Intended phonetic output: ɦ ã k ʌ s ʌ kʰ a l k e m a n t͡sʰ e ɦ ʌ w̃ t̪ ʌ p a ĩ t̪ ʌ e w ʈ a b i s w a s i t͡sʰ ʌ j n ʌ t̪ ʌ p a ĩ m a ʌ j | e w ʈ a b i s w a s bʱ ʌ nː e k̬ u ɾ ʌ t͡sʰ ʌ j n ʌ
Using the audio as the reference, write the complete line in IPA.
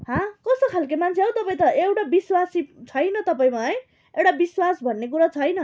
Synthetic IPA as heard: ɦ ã k ʌ s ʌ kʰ a l k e m a n t͡sʰ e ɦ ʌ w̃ t̪ ʌ p a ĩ t̪ ʌ e w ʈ a b i s w a s i t͡sʰ ʌ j n ʌ t̪ ʌ p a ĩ m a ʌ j | e w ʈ a b i s w a s bʱ ʌ nː e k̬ u ɾ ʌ t͡sʰ ʌ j n ʌ